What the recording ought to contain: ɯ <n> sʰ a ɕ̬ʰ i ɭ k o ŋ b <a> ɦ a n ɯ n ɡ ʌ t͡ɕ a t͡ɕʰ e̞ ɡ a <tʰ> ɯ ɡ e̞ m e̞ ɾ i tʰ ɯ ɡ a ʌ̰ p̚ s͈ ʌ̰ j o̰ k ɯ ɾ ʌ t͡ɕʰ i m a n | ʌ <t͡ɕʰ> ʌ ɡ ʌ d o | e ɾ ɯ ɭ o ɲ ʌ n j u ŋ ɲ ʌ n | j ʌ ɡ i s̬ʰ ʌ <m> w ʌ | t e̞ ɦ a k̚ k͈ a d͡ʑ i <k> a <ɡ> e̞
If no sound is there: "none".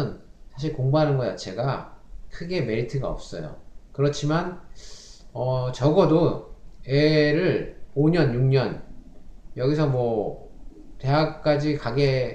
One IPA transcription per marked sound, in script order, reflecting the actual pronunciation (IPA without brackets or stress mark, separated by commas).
n, a, kʰ, t͡ɕ, m, k, ɡ